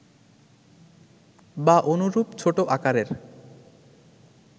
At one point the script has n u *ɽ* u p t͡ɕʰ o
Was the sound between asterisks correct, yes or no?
no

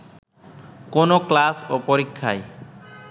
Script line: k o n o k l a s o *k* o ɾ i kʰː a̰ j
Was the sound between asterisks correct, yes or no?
no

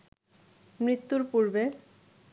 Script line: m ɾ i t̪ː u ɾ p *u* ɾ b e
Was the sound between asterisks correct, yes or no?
yes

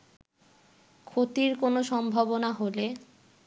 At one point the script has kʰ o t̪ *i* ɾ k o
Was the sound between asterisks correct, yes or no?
yes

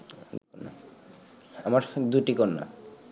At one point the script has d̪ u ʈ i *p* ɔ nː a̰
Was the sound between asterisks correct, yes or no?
no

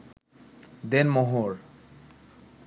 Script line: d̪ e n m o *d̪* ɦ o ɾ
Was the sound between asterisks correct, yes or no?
no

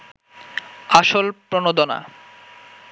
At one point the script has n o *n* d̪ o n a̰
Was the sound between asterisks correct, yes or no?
no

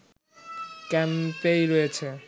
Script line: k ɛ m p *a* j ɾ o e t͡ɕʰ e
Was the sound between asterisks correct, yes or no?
no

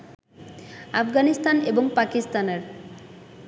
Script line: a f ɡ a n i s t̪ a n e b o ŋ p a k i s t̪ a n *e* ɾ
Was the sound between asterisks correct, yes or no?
yes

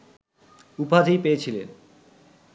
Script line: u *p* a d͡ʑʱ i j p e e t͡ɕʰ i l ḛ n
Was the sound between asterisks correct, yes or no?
yes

